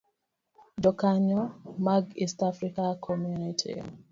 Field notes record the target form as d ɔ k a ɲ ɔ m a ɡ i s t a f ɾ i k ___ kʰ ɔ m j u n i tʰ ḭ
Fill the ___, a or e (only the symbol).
a